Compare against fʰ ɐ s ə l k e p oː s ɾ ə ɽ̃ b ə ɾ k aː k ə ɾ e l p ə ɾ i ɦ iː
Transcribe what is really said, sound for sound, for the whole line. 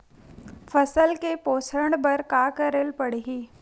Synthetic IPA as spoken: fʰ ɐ s ə l k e p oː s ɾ ə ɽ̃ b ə ɾ k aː k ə ɾ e l p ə ɽ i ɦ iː